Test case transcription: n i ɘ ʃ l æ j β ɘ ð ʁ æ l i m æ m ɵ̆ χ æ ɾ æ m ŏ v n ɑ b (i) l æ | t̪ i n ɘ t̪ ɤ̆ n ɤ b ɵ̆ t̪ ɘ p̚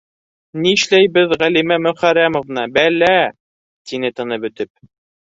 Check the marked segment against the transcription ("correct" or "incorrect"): incorrect